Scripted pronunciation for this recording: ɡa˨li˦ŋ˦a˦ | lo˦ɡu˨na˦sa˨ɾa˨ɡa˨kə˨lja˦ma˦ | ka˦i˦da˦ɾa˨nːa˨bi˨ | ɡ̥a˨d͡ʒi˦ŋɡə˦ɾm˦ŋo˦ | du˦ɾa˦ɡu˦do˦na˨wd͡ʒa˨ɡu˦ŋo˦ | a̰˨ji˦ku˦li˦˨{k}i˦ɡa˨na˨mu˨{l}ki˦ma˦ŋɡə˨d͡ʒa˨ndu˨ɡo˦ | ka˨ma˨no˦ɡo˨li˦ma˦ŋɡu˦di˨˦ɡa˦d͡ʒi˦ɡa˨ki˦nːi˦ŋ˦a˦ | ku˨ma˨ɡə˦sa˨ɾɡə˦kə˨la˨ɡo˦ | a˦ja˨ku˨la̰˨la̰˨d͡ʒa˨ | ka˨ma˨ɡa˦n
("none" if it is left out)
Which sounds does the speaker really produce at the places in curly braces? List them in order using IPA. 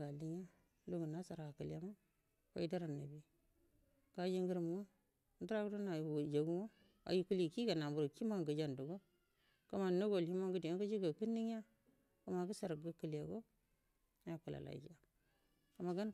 k, ɾ

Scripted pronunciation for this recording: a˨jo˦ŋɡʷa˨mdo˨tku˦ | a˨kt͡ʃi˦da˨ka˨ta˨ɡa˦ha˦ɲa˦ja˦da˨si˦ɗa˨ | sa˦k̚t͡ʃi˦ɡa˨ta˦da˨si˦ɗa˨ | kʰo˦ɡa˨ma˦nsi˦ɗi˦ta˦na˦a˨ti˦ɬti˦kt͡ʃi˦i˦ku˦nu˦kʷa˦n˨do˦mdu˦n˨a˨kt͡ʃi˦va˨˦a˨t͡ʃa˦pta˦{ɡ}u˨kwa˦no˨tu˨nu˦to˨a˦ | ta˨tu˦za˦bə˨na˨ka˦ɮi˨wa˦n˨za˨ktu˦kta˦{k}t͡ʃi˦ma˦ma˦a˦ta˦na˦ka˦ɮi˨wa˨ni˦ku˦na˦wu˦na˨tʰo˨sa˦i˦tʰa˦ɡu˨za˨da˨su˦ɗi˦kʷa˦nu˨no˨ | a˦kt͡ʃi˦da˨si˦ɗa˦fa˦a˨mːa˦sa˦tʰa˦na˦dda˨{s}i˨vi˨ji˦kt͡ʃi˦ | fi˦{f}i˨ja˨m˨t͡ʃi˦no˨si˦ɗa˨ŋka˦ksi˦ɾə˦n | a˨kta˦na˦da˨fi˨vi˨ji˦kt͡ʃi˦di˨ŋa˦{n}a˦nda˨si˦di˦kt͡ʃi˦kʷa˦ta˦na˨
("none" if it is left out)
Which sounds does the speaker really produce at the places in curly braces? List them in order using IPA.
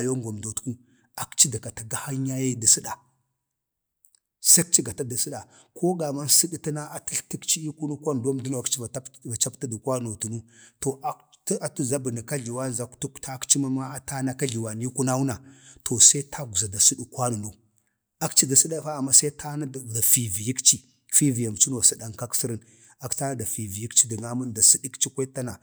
d, k, f, v, m

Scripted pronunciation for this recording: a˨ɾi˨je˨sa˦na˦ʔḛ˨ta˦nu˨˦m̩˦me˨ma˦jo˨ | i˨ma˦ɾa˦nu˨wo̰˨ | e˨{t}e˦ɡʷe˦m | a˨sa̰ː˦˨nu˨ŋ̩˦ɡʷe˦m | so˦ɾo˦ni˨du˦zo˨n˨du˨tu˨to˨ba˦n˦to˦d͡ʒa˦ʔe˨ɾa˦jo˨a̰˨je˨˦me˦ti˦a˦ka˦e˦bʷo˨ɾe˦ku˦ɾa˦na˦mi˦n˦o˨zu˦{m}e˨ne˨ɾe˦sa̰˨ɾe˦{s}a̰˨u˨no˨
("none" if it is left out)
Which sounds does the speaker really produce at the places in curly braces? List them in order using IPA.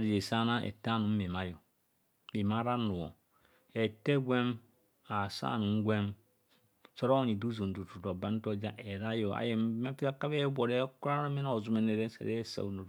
t, m, s

